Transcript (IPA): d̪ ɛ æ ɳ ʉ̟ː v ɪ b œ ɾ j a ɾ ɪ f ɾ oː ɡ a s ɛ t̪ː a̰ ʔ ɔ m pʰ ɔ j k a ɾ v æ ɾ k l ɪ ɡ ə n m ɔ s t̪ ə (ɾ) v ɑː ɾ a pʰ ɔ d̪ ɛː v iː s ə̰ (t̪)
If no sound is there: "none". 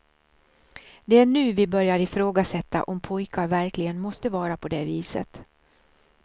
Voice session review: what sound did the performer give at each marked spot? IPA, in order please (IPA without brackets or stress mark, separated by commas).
none, t̪